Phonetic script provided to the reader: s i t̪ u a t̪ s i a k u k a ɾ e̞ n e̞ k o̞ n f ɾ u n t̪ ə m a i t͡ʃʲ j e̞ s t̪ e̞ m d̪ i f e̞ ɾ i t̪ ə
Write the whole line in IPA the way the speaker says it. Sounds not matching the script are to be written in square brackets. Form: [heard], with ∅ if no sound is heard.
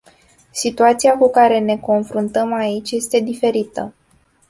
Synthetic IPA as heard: s i t̪ u a t̪ s i a k u k a ɾ e̞ n e̞ k o̞ n f ɾ u n t̪ ə m a i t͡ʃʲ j e̞ s t̪ e̞ [∅] d̪ i f e̞ ɾ i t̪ ə